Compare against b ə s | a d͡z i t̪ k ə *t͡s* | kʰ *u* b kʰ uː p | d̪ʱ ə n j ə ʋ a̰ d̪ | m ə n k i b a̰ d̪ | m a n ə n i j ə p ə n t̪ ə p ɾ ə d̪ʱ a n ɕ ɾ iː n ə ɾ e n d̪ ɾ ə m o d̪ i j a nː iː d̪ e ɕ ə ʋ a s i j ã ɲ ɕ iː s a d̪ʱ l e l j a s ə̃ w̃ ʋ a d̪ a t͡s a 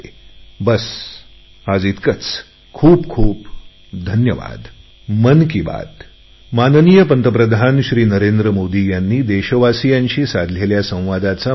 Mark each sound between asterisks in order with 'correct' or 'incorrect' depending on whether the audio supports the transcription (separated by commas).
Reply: correct, incorrect